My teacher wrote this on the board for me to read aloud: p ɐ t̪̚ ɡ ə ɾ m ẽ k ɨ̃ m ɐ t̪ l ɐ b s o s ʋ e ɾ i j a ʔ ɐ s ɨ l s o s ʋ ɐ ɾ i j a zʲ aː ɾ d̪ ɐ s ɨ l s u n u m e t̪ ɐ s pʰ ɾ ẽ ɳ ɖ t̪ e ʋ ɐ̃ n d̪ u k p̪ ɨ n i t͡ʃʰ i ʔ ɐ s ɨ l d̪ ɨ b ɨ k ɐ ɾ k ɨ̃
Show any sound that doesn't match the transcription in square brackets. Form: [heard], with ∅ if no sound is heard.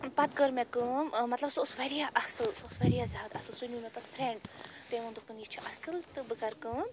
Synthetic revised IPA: p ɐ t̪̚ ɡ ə ɾ m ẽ k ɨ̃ m ɐ t̪ l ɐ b s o s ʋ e ɾ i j a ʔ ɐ s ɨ l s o s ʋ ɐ ɾ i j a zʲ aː [∅] d̪ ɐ s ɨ l s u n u m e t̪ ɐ s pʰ ɾ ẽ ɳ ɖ t̪ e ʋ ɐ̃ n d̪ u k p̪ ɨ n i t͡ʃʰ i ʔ ɐ s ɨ l [t̪] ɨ b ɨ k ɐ ɾ k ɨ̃